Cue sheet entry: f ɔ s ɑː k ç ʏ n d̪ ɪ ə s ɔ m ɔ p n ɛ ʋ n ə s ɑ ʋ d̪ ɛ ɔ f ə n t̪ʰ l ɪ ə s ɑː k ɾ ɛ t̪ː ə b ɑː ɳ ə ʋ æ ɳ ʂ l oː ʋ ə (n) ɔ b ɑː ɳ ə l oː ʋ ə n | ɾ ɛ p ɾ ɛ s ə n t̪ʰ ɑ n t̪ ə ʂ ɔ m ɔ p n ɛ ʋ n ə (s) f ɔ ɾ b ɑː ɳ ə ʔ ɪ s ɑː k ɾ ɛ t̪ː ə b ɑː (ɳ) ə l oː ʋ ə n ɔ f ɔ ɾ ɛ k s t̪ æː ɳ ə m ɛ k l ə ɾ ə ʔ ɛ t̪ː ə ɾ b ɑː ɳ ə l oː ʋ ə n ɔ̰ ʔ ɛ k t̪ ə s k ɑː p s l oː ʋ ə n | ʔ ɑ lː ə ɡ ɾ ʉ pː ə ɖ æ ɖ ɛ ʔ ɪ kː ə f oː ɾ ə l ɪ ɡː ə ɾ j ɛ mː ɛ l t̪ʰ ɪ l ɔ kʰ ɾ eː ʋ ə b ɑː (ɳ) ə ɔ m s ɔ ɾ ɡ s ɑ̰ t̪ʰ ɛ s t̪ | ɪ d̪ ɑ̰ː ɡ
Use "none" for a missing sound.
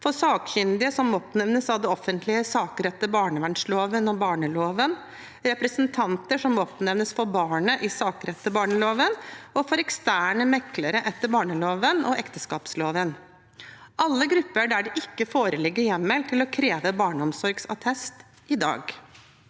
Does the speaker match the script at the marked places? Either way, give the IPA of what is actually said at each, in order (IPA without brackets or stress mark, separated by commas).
n, s, ɳ, ɳ